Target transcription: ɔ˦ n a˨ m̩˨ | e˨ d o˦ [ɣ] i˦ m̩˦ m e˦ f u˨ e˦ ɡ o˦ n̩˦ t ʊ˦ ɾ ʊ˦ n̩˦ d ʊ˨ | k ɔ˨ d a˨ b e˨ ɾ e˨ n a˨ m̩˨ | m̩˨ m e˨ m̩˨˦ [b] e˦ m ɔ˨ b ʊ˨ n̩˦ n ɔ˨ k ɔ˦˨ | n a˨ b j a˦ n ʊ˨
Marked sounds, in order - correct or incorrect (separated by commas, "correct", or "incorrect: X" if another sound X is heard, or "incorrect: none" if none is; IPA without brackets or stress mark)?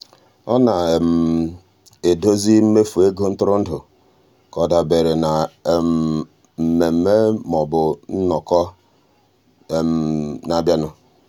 incorrect: z, incorrect: m